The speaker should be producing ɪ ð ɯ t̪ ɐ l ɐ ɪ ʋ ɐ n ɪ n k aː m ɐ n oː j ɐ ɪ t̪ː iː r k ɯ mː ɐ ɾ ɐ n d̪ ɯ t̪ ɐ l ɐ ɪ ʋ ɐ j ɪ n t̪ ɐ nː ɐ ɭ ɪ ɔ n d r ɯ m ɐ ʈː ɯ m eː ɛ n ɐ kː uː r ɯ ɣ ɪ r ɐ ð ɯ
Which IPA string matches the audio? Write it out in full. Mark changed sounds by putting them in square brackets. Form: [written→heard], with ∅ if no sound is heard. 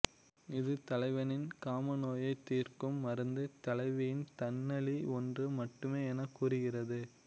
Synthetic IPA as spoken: ɪ ð ɯ t̪ ɐ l ɐ ɪ ʋ ɐ n ɪ n k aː m ɐ n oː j ɐ ɪ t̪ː iː r k ɯ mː ɐ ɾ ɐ n d̪ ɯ t̪ ɐ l ɐ ɪ ʋ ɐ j ɪ n t̪ ɐ nː ɐ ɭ [ɪ→i] ɔ n d r ɯ m ɐ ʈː ɯ m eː ɛ n ɐ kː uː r ɯ ɣ ɪ r ɐ ð ɯ

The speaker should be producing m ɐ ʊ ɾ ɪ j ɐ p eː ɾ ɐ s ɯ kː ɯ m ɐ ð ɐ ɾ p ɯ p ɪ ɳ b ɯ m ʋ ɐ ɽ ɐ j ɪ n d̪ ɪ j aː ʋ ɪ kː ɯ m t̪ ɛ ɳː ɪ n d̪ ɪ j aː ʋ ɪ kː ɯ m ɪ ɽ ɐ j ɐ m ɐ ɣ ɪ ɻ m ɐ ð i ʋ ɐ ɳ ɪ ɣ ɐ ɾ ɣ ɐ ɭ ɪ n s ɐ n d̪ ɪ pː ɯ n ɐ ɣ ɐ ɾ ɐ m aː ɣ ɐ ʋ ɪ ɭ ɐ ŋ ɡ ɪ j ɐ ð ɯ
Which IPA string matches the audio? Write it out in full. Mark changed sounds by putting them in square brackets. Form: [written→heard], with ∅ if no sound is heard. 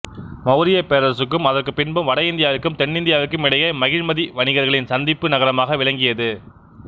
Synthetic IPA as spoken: m ɐ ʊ ɾ ɪ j ɐ p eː ɾ ɐ s ɯ kː ɯ m ɐ ð ɐ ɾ [p→k] ɯ p ɪ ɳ b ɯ m ʋ ɐ ɽ ɐ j ɪ n d̪ ɪ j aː ʋ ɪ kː ɯ m t̪ ɛ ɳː ɪ n d̪ ɪ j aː ʋ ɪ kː ɯ m ɪ ɽ ɐ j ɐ m ɐ ɣ ɪ ɻ m ɐ ð i ʋ ɐ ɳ ɪ ɣ ɐ ɾ ɣ ɐ ɭ ɪ n s ɐ n d̪ ɪ pː ɯ n ɐ ɣ ɐ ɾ ɐ m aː ɣ ɐ ʋ ɪ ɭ ɐ ŋ ɡ ɪ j ɐ ð ɯ

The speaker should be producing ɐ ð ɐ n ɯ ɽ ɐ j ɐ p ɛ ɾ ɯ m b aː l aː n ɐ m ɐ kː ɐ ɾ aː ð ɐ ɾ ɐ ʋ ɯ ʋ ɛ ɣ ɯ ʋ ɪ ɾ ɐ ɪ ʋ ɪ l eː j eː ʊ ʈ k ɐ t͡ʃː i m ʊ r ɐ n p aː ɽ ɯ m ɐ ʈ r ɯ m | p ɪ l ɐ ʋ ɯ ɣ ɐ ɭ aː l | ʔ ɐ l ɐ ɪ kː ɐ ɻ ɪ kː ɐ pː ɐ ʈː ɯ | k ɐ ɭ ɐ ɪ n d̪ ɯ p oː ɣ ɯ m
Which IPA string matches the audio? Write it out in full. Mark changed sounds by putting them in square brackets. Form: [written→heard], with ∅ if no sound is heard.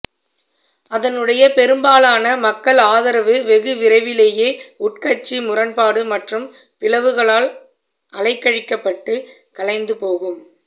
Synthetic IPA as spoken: ɐ ð ɐ n ɯ ɽ ɐ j ɐ p ɛ ɾ ɯ m b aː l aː n ɐ m ɐ kː ɐ [ɾ→ɭ] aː ð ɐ ɾ ɐ ʋ ɯ ʋ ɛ ɣ ɯ ʋ ɪ ɾ ɐ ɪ ʋ ɪ l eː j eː ʊ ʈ k ɐ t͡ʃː i m ʊ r ɐ n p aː ɽ ɯ m ɐ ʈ r ɯ m | p ɪ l ɐ ʋ ɯ ɣ ɐ ɭ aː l | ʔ ɐ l ɐ ɪ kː ɐ ɻ ɪ kː ɐ pː ɐ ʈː ɯ | k ɐ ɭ ɐ ɪ n d̪ ɯ p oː ɣ ɯ m

